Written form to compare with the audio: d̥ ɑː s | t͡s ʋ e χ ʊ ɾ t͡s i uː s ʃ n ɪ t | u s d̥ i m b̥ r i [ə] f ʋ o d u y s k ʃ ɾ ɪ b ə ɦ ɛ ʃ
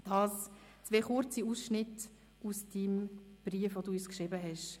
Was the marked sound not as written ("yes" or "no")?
no